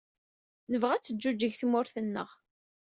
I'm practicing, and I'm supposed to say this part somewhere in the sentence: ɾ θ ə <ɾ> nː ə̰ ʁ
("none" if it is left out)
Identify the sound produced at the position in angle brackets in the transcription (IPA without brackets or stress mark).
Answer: none